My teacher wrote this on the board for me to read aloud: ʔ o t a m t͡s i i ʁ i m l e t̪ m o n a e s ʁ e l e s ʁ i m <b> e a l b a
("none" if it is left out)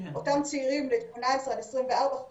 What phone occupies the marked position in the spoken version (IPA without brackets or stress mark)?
v